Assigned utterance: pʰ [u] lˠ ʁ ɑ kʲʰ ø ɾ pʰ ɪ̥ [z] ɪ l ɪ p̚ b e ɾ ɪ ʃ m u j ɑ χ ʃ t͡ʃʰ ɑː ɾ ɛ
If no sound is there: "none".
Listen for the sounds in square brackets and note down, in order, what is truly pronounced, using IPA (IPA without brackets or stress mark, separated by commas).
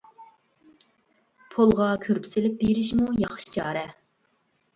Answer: o, s